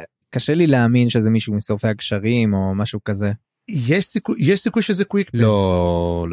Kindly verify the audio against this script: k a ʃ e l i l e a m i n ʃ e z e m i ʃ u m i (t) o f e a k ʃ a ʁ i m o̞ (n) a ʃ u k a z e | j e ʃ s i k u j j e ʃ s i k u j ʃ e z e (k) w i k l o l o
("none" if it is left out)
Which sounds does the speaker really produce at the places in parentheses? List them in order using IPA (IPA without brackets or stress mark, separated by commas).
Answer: s, m, k